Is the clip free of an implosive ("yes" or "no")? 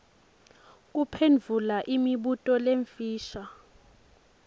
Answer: no